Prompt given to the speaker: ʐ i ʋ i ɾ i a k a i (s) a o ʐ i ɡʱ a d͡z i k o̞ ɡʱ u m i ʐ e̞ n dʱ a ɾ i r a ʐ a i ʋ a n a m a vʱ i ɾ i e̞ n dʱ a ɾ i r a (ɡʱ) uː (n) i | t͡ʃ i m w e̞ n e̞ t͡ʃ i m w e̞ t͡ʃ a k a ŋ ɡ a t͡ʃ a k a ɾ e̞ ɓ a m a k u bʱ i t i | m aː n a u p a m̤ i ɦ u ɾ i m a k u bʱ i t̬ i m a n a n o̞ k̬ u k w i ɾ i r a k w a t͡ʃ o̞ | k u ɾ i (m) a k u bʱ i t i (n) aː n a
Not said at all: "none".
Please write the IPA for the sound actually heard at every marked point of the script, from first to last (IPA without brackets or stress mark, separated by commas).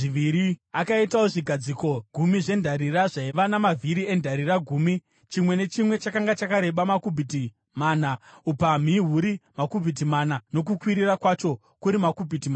t, ɡʱ, m, m, m